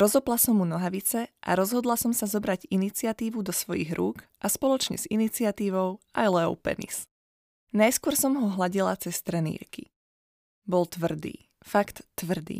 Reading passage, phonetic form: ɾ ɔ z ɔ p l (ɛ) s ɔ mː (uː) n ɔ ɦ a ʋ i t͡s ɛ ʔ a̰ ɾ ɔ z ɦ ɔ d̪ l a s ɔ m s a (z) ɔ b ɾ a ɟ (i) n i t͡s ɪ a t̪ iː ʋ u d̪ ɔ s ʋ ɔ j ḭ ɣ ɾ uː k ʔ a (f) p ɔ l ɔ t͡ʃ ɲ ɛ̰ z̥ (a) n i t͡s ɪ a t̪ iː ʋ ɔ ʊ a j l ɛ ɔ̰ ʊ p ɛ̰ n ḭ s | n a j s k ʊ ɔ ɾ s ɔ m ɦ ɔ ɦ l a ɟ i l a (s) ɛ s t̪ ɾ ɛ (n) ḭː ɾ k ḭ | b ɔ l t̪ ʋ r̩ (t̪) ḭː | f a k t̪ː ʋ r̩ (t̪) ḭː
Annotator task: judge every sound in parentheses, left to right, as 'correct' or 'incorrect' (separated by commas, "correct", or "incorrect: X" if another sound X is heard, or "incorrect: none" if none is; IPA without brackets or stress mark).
incorrect: a, incorrect: u, correct, correct, incorrect: s, incorrect: i, incorrect: t͡s, correct, incorrect: d̪, incorrect: d̪